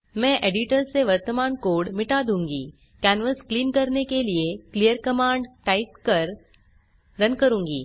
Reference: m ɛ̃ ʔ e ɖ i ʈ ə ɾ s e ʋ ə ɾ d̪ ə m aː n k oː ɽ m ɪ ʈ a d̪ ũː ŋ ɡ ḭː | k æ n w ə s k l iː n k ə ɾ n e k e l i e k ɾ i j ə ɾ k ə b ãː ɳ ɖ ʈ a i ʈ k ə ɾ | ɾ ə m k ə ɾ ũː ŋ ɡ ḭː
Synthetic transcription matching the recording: m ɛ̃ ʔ e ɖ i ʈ ə ɾ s e ʋ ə ɾ t̪ ə m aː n k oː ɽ m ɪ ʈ a d̪ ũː ŋ ɡ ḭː | k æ n ʋ ə s k l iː n k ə ɾ n e k e l i e k l i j ə ɾ k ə m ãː ɳ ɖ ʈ a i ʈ k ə ɾ | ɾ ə n k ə ɾ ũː ŋ ɡ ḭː